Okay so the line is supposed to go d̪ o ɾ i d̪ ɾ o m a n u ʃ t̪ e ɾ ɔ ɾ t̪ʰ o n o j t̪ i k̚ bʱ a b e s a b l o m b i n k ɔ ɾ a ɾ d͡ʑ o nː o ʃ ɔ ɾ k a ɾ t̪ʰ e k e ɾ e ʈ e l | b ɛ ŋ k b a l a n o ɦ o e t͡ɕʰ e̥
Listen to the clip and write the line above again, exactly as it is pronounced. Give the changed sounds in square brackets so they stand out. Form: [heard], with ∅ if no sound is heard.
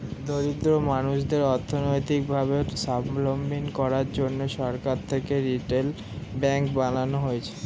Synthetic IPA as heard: d̪ o ɾ i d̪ ɾ o m a n u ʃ [d̪] e ɾ ɔ ɾ t̪ʰ o n o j t̪ i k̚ bʱ a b e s a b l o m b i n k ɔ ɾ a ɾ d͡ʑ o nː o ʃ ɔ ɾ k a ɾ t̪ʰ e k e ɾ [i] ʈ e l | b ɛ ŋ k b a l a n o ɦ o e t͡ɕʰ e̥

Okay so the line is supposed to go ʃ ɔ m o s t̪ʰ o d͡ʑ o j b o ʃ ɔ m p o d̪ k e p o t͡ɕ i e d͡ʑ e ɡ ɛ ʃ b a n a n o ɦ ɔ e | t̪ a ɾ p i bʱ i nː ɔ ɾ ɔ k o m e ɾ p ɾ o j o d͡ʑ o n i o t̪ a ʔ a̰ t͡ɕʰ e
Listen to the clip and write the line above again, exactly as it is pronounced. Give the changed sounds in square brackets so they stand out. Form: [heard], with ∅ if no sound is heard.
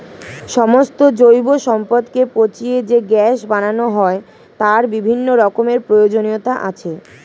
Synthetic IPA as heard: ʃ ɔ m o s [t̪] o d͡ʑ o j b o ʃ ɔ m p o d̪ k e p o t͡ɕ i e d͡ʑ e ɡ ɛ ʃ b a n a n o ɦ ɔ e | t̪ a ɾ [b] i bʱ i nː [o] ɾ ɔ k o m e ɾ p ɾ o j o d͡ʑ o n i o t̪ a ʔ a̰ t͡ɕʰ e

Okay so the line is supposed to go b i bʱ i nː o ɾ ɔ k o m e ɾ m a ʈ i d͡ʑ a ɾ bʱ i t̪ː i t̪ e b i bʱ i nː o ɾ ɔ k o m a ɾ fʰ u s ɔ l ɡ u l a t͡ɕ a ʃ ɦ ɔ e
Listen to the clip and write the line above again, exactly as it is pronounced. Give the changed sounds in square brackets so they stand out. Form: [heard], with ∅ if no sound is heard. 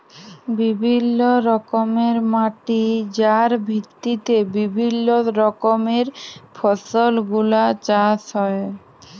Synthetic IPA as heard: b i bʱ i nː o ɾ ɔ k o m e ɾ m a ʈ i d͡ʑ a ɾ bʱ i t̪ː i t̪ e b i bʱ i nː o ɾ ɔ k o m [e] ɾ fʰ [ɔ] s [o] l ɡ u l a t͡ɕ a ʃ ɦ ɔ e

